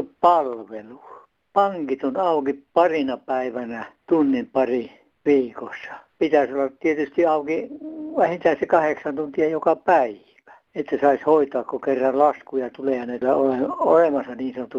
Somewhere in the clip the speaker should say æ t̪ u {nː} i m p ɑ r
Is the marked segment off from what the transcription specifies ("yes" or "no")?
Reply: no